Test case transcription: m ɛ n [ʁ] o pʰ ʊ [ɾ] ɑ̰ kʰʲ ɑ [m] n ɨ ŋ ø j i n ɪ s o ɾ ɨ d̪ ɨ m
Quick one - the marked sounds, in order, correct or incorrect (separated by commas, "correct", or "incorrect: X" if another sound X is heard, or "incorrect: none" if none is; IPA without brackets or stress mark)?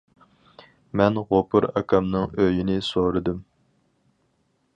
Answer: correct, correct, correct